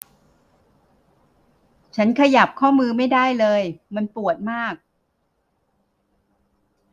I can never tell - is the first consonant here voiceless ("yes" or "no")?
yes